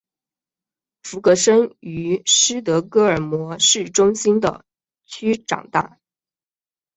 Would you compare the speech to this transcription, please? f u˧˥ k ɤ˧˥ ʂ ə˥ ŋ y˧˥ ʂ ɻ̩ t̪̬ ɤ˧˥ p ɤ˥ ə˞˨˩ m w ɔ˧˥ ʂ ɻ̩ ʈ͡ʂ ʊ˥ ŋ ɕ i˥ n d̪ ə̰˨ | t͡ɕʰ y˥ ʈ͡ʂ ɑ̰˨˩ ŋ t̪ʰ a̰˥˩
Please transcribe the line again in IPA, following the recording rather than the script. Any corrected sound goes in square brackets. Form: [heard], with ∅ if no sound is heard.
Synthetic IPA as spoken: f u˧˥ k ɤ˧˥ ʂ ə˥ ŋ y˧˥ ʂ ɻ̩ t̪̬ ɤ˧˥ [k] ɤ˥ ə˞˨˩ m w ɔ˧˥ ʂ ɻ̩ ʈ͡ʂ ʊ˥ ŋ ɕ i˥ n d̪ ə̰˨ | t͡ɕʰ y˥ ʈ͡ʂ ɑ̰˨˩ ŋ [t̪] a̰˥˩

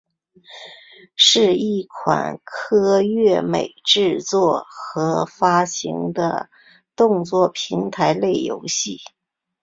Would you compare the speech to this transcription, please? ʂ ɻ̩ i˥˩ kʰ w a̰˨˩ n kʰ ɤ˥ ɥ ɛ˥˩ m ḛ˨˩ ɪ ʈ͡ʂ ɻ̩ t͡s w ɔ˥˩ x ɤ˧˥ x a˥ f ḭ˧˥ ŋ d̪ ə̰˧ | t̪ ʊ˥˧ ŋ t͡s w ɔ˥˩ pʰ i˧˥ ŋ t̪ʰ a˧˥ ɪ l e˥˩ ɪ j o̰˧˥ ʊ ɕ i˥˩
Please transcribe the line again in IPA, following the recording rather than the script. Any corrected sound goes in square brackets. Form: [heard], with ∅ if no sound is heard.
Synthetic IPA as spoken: ʂ ɻ̩ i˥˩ kʰ w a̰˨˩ n kʰ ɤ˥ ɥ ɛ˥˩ m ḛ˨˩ ɪ ʈ͡ʂ ɻ̩ t͡s w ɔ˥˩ x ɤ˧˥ [f] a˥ [ɕ] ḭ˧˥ ŋ d̪ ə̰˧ | t̪ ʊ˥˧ ŋ t͡s w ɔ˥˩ pʰ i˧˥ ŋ t̪ʰ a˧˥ ɪ l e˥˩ ɪ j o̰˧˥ ʊ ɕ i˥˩

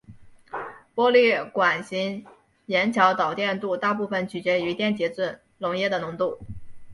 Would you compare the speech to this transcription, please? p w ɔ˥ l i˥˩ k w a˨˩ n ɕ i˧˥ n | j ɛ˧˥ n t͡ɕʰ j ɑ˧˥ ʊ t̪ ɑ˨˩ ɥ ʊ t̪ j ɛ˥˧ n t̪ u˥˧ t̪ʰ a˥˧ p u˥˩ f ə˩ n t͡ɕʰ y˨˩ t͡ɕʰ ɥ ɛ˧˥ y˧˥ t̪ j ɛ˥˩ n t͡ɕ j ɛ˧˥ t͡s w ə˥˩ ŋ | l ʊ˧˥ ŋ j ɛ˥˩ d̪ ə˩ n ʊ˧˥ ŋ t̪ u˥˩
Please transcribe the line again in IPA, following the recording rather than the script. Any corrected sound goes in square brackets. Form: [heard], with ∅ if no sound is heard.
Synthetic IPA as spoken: p w ɔ˥ l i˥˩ k w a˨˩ n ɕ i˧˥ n | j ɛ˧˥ n t͡ɕʰ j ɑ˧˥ ʊ t̪ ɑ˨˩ [∅] ʊ t̪ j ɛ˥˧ n t̪ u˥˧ [t̪] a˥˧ p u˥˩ f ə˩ n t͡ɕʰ y˨˩ [t͡ɕ] ɥ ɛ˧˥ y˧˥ t̪ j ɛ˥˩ n t͡ɕ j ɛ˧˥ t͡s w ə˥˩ [n] | l ʊ˧˥ ŋ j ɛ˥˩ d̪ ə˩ n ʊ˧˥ ŋ t̪ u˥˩

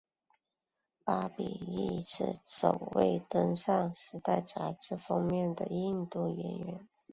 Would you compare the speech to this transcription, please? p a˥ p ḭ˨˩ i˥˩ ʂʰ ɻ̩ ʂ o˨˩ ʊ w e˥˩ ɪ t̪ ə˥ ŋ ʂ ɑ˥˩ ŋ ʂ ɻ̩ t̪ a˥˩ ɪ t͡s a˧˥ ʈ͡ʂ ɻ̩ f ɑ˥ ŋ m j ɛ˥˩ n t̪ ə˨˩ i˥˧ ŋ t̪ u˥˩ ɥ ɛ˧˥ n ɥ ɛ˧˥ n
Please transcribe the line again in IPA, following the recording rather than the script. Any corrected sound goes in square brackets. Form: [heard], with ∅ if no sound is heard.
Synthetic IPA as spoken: p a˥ p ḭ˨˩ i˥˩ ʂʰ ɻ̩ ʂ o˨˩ ʊ w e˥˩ ɪ t̪ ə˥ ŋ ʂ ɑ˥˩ ŋ ʂ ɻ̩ t̪ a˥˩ ɪ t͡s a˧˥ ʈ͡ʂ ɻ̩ f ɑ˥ ŋ m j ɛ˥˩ n [d̪] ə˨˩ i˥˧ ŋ t̪ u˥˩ ɥ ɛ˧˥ n ɥ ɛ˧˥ n

